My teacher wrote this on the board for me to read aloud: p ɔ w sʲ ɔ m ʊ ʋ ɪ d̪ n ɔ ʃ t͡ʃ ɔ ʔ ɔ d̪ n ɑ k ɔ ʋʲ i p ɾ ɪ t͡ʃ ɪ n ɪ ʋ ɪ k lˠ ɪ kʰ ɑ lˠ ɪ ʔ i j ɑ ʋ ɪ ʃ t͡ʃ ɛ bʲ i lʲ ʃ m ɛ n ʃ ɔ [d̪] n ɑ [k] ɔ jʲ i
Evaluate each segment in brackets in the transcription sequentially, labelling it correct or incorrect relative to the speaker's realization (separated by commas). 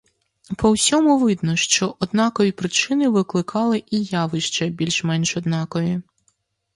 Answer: correct, correct